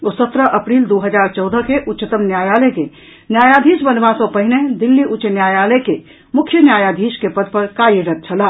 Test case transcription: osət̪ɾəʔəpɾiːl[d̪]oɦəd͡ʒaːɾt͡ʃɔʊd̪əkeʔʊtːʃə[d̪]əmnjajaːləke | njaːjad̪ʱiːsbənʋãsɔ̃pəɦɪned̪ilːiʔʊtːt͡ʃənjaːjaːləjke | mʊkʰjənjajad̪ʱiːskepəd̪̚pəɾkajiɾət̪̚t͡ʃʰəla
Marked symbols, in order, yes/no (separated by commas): yes, no